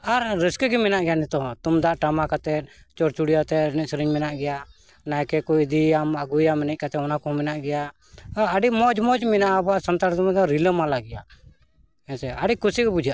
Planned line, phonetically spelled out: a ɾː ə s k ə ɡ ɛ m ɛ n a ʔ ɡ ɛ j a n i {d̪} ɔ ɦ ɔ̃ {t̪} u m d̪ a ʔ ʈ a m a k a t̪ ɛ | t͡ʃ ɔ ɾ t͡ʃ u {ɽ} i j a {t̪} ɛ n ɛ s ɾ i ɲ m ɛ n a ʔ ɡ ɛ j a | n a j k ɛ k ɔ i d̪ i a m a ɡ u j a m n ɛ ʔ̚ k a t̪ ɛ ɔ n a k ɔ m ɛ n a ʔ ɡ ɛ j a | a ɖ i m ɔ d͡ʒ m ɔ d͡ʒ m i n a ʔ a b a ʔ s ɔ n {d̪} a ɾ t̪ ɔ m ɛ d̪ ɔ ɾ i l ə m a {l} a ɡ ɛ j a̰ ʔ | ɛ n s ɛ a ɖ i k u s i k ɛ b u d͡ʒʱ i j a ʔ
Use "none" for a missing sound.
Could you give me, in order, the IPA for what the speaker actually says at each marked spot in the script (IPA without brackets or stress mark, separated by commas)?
t̪, t̪, ɽ, t̪, t̪, l